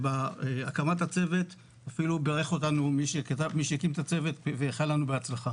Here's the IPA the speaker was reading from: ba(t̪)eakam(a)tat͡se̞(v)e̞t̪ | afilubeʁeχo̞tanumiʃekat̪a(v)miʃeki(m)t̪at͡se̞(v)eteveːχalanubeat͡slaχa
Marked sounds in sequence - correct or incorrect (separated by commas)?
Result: incorrect, correct, correct, correct, correct, correct